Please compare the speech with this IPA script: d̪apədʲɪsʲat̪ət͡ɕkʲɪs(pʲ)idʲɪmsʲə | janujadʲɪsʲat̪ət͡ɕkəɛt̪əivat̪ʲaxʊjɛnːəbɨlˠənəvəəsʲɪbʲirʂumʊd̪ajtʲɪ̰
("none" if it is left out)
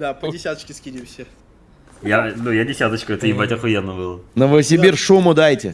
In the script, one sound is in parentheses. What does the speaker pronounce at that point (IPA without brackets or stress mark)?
kʲ